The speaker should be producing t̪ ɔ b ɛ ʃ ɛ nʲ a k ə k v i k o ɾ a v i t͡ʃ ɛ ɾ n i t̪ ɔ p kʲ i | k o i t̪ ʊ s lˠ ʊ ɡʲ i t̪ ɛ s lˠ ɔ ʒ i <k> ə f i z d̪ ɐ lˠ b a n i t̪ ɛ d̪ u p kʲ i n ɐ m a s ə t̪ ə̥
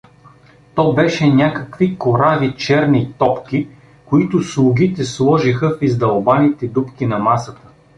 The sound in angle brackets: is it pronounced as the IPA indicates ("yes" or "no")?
no